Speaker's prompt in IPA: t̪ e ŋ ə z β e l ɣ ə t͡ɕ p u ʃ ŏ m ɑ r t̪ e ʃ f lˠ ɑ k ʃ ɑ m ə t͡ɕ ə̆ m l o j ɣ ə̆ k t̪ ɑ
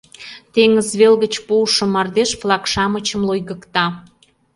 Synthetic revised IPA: t̪ e ŋ ə z β e l ɣ ə t͡ɕ p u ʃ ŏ m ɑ r d̪ e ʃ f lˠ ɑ k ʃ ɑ m ə t͡ɕ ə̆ m l o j ɣ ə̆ k t̪ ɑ